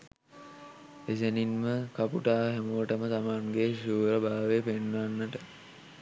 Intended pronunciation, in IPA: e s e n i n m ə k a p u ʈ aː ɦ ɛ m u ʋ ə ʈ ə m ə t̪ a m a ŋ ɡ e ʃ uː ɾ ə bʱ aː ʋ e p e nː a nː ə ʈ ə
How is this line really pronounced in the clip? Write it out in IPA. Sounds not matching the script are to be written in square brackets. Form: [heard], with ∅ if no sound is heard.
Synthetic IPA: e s e n i n m ə k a p u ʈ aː ɦ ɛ m u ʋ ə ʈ ə m ə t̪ a m a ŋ ɡ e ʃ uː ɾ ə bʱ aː ʋ e p e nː a nː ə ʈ ə